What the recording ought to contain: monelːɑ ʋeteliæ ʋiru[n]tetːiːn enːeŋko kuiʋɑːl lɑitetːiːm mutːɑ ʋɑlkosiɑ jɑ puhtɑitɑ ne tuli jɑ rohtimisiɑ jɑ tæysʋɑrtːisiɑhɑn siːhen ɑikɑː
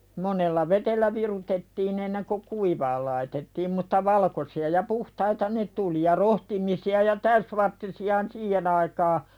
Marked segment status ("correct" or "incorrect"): incorrect